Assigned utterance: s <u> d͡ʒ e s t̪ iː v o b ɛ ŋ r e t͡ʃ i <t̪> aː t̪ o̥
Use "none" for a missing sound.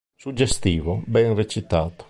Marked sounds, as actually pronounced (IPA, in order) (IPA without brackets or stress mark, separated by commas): u, t̪